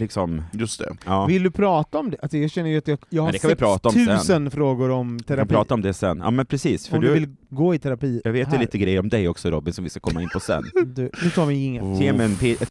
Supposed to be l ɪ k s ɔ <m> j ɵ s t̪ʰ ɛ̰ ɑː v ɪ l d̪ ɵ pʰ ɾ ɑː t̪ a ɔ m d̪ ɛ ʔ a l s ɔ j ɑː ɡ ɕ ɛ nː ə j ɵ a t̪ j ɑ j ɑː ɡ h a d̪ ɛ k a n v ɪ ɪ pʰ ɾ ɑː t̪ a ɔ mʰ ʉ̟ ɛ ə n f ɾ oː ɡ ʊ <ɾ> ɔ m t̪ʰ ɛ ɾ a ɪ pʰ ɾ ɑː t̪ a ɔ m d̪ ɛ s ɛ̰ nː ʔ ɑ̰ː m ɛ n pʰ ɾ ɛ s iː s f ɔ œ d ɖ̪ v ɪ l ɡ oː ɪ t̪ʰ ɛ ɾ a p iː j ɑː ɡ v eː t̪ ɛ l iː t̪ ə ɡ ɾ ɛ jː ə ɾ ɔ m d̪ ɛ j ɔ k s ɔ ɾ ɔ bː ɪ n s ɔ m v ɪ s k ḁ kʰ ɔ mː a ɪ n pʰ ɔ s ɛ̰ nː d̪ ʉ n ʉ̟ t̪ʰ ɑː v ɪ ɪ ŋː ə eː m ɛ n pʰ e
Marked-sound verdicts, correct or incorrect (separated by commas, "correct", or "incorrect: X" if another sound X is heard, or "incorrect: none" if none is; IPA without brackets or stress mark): correct, correct